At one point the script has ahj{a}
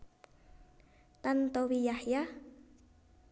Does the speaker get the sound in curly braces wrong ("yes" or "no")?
no